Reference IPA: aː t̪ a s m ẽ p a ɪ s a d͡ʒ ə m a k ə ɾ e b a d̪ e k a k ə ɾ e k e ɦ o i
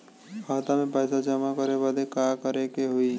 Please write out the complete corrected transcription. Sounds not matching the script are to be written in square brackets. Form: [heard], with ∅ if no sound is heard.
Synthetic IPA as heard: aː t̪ a [∅] m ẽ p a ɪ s a d͡ʒ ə m a k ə ɾ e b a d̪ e k a k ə ɾ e k e ɦ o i

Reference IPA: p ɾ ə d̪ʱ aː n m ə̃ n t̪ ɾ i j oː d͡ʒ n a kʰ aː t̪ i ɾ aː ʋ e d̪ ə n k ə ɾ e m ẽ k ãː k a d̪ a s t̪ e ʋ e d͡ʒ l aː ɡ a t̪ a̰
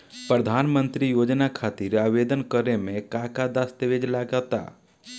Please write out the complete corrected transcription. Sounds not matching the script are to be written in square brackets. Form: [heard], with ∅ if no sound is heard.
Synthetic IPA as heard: p ɾ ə d̪ʱ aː n m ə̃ n t̪ ɾ i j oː d͡ʒ n a kʰ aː t̪ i ɾ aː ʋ e d̪ ə n k ə ɾ e m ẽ k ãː k a d̪ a s t̪ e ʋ e d͡ʒ l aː ɡ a t̪ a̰

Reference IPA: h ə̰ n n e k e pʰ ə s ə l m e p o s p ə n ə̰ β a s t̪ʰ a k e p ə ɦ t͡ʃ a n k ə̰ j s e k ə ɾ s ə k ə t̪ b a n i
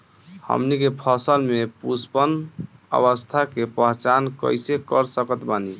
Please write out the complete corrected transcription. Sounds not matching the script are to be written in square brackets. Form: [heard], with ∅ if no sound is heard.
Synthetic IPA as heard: h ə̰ [m] n [i] k e pʰ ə s ə l m e p [u] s p ə n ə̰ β [ə] s t̪ʰ a k e p ə ɦ t͡ʃ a n k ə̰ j s e k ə ɾ s ə k ə t̪ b a n i

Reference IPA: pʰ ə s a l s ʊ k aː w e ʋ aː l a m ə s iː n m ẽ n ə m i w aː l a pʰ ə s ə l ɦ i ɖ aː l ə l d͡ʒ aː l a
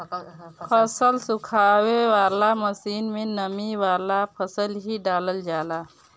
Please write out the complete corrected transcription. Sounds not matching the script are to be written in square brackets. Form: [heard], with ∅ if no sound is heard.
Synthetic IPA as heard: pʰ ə s [ə] l s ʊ [kʰ] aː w e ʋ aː l a m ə s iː n m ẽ n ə m i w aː l a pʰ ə s ə l ɦ i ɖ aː l ə l d͡ʒ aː l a

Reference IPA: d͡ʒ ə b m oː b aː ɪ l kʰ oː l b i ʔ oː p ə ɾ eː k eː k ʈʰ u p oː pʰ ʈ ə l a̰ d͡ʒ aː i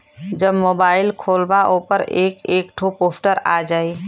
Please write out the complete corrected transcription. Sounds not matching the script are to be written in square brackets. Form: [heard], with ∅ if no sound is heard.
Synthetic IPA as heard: d͡ʒ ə b m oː b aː ɪ l kʰ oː l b [a] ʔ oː p ə ɾ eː k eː k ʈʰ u p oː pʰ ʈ ə [ɾ] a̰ d͡ʒ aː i

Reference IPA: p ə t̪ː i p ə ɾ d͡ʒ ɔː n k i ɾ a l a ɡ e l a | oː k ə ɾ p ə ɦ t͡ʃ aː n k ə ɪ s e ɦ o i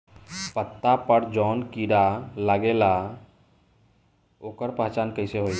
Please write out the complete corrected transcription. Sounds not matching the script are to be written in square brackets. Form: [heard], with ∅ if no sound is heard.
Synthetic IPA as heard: p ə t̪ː [a] p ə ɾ d͡ʒ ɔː n k i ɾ a l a ɡ e l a | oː k ə ɾ p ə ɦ t͡ʃ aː n k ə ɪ s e ɦ o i

